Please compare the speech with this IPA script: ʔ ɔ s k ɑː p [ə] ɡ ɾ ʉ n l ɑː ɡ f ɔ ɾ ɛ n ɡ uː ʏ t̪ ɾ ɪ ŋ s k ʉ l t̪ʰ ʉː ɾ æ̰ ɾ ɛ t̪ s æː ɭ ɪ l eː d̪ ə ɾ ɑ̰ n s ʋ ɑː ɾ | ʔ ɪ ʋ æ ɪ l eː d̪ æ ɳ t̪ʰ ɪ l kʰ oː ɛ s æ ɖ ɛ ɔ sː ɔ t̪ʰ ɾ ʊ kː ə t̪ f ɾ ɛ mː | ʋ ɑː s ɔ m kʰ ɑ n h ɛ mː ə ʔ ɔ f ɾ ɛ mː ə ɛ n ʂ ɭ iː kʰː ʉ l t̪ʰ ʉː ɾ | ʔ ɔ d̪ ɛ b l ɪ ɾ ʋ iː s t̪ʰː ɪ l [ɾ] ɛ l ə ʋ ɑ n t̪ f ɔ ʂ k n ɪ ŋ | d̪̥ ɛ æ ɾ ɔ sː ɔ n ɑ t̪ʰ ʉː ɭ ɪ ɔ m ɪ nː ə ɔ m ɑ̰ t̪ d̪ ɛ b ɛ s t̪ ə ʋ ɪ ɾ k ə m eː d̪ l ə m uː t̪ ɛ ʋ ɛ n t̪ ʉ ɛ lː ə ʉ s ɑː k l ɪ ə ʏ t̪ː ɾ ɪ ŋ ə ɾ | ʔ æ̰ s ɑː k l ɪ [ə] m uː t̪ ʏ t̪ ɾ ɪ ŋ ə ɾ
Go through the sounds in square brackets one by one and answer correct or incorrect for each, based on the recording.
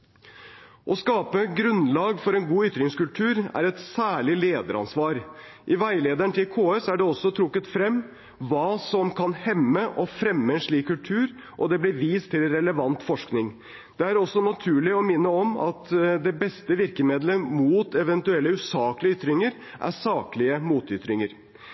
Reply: correct, correct, correct

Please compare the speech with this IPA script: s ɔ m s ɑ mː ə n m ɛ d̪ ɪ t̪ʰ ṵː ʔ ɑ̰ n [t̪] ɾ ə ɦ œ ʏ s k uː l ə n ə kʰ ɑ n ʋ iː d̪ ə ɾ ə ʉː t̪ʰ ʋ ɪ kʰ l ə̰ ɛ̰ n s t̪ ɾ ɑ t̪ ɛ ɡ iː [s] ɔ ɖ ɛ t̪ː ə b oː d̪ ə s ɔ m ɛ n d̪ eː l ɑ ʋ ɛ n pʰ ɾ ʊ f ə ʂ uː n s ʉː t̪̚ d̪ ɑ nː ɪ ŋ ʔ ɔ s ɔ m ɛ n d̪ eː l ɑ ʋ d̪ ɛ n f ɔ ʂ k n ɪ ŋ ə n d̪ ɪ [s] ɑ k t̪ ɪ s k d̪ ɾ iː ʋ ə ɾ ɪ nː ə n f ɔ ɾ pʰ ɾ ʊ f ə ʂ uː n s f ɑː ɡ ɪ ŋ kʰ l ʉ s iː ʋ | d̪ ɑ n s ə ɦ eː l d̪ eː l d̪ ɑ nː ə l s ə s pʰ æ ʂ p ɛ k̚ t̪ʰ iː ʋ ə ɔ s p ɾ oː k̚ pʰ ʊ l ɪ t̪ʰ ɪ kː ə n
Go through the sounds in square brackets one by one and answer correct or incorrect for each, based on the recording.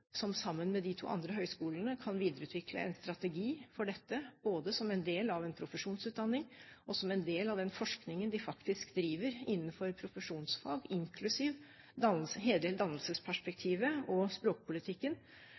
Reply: incorrect: d̪, incorrect: f, incorrect: f

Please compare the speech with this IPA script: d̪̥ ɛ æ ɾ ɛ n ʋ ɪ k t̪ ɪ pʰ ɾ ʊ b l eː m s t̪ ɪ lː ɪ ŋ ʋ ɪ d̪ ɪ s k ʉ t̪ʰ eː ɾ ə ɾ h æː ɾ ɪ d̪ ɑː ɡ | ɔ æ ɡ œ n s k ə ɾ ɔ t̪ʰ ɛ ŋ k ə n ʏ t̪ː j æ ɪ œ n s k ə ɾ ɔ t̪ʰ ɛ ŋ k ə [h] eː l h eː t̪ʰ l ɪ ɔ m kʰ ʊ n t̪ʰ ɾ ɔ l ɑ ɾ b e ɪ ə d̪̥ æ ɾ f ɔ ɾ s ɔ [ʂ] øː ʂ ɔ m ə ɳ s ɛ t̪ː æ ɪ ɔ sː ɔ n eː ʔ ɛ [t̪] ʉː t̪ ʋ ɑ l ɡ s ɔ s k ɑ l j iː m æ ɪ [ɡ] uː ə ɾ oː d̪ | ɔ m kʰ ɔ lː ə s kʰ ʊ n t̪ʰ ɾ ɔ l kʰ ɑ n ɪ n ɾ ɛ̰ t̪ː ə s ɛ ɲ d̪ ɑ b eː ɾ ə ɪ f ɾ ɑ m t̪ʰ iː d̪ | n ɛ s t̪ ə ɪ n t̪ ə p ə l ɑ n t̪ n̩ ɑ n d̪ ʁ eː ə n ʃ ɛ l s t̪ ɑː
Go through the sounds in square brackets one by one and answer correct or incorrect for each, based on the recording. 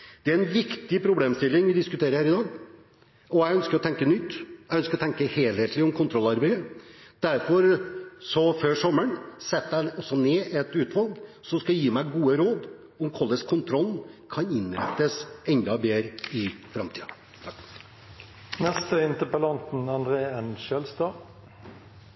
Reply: correct, incorrect: f, correct, correct

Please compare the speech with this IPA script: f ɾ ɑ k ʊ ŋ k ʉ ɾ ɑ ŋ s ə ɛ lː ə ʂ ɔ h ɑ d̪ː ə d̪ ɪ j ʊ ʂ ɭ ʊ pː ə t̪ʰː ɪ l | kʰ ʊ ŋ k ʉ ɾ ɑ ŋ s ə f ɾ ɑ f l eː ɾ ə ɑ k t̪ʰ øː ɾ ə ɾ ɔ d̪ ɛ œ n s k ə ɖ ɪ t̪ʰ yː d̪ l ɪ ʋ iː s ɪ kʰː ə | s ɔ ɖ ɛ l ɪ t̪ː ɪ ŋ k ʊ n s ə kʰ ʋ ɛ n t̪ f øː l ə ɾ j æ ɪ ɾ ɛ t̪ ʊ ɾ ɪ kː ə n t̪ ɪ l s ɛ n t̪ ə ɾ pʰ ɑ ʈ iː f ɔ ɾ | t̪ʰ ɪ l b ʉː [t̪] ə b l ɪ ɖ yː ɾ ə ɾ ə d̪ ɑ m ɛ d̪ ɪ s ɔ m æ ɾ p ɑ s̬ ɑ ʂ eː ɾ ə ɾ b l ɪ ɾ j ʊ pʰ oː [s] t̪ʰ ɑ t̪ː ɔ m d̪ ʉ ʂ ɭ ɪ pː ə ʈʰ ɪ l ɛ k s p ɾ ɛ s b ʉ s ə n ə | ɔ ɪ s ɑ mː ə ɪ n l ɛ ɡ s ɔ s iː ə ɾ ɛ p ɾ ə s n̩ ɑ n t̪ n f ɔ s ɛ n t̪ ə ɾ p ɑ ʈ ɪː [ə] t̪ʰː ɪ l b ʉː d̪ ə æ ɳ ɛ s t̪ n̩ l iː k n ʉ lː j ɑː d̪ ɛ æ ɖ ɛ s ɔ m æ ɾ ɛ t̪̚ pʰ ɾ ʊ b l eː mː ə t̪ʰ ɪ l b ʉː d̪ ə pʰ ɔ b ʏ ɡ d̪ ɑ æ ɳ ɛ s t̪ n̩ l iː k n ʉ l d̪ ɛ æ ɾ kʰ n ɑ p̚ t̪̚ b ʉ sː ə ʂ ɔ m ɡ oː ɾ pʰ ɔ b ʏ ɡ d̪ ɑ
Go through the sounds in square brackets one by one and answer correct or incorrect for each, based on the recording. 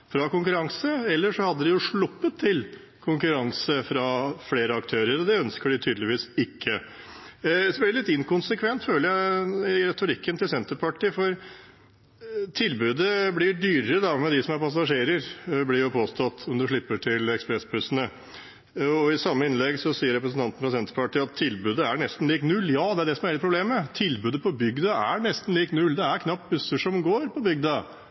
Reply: incorrect: d̪, correct, incorrect: ɑ

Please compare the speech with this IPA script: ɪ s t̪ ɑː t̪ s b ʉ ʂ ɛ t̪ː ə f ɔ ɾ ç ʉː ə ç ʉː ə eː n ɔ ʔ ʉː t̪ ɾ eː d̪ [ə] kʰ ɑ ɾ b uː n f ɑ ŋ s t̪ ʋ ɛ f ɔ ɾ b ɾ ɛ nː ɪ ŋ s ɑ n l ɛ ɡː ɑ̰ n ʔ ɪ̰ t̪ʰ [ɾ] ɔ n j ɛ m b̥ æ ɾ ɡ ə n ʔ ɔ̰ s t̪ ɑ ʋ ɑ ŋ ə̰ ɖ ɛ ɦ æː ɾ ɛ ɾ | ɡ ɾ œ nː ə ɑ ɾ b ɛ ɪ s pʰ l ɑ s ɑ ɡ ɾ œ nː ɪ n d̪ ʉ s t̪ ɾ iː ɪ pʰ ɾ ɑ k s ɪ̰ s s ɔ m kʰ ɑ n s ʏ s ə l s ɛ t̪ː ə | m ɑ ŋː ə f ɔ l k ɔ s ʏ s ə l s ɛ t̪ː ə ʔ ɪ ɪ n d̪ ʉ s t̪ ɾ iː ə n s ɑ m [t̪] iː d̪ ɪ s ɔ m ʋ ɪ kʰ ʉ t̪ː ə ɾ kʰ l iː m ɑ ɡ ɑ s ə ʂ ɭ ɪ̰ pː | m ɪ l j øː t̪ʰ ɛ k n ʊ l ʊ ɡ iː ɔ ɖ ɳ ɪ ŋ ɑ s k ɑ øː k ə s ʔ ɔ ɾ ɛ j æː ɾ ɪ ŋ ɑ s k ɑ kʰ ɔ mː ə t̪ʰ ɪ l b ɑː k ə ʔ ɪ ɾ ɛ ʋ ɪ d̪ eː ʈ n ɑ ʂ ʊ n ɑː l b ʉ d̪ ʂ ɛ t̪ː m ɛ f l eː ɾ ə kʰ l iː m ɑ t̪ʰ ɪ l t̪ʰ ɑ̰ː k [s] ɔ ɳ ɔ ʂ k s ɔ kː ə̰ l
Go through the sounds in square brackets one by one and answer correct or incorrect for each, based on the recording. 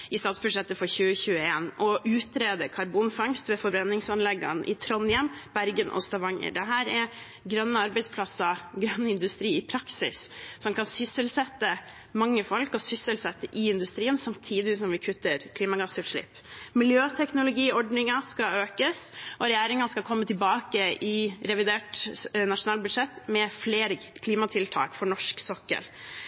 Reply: correct, correct, incorrect: t̪ʰ, incorrect: f

